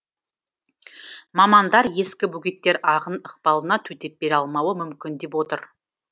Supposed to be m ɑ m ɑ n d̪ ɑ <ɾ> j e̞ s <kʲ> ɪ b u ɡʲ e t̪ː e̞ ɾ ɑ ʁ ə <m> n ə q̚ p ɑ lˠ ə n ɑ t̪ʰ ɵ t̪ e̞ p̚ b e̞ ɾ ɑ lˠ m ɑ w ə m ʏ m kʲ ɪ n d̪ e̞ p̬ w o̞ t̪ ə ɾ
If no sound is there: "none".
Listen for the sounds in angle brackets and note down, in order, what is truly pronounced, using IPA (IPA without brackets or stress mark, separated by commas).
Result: ɾ, kʲ, none